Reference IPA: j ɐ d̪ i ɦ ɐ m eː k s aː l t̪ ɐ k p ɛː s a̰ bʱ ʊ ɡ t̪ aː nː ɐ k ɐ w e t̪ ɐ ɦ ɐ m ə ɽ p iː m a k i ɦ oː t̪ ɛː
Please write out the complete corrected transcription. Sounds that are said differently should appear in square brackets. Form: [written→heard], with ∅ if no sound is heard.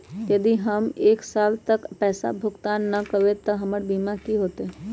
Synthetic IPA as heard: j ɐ d̪ i ɦ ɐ m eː k s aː l t̪ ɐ k p ɛː s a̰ bʱ ʊ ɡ t̪ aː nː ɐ k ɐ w e t̪ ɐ ɦ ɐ m ə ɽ [p→b] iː m a k i ɦ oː t̪ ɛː